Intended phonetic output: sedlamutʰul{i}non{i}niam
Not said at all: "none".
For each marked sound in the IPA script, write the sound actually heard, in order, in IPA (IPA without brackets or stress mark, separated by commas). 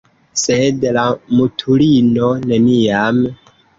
i, e